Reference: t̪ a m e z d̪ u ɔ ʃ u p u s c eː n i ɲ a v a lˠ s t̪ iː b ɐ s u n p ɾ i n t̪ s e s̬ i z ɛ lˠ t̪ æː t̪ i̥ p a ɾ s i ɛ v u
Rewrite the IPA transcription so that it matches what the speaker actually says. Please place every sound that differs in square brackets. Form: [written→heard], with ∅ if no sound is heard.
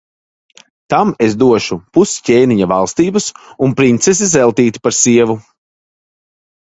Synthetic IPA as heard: t̪ a m e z d̪ u ɔ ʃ u p u s c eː n i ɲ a v a lˠ s t̪ iː b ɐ s u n p ɾ i n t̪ s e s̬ i z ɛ lˠ t̪ [æː→iː] t̪ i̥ p a ɾ s i ɛ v u